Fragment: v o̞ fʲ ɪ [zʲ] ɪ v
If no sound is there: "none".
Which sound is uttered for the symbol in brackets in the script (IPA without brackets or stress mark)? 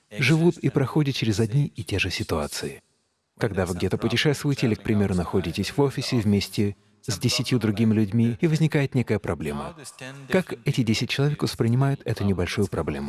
sʲ